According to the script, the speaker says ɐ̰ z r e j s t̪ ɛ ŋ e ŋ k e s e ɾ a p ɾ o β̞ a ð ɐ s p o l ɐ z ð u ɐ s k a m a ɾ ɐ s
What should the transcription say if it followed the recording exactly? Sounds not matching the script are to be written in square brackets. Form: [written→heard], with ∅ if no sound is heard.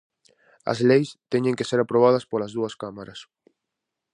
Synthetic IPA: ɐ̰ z [r→l] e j s t̪ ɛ [ŋ→ɲ] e ŋ k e s e ɾ a p ɾ o β̞ a ð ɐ s p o l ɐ z ð u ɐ s k a m a ɾ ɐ s

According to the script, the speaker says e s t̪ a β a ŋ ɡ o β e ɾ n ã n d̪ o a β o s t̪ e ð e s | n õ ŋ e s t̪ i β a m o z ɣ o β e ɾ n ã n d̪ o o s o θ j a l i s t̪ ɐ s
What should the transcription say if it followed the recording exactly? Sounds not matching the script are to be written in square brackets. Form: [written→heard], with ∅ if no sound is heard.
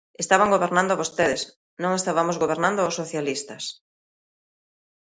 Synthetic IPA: e s t̪ a β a ŋ ɡ o β e ɾ n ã n d̪ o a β o s t̪ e ð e s | n õ ŋ e s t̪ [i→a] β a m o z ɣ o β e ɾ n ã n d̪ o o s o θ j a l i s t̪ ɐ s

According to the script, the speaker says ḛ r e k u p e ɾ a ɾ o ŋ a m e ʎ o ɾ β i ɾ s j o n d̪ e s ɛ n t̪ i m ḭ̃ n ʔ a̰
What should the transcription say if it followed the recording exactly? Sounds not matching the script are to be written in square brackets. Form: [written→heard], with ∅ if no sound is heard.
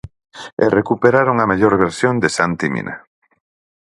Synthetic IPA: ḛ r e k u p e ɾ a ɾ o ŋ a m e ʎ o ɾ β [i→e] ɾ s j o n d̪ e s [ɛ→a] n t̪ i m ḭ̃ n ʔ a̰

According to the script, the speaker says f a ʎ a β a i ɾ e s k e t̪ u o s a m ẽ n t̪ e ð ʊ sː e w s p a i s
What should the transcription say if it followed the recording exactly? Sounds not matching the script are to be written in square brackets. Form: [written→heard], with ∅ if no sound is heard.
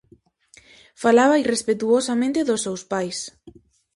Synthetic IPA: f a [ʎ→l] a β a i [ɾ→r] e s [k→p] e t̪ u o s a m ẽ n t̪ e ð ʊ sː e w s p a [i→j] s

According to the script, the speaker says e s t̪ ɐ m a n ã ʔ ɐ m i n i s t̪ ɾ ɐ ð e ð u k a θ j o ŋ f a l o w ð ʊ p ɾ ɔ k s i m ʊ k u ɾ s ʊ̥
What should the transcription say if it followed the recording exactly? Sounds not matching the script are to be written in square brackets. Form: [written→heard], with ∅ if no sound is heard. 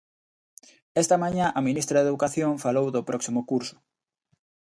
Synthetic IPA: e s t̪ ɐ m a [n→ɲ] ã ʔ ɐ m i n i s t̪ ɾ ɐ ð e ð u k a θ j o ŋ f a l o w ð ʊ p ɾ ɔ k s i m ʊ k u ɾ s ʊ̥

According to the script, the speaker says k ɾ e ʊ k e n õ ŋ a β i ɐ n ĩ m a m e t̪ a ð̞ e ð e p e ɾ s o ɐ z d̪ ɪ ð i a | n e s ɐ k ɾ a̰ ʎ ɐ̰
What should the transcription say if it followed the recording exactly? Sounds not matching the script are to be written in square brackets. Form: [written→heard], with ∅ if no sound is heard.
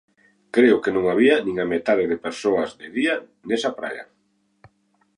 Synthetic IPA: k ɾ e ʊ k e n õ ŋ a β i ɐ n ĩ [m→ŋ] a m e t̪ a ð̞ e ð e p e ɾ s o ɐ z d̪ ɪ ð i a | n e s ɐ [k→p] ɾ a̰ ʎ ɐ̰

